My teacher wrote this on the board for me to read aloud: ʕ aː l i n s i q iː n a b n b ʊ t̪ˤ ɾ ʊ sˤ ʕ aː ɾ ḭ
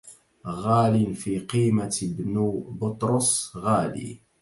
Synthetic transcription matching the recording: ɣ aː l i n f i q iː m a b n b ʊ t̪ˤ ɾ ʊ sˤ ɣ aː l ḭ